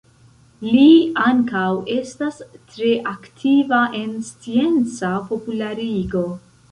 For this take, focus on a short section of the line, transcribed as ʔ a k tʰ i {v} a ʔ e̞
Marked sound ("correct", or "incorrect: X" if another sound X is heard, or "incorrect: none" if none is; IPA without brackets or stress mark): correct